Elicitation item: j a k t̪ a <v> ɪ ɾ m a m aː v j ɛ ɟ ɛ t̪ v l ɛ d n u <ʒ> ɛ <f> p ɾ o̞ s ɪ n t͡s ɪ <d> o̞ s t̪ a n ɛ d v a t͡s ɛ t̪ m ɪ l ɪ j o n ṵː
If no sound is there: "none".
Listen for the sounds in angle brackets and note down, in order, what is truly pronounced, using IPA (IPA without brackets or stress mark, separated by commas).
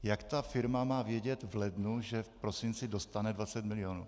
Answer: f, ʒ, f, d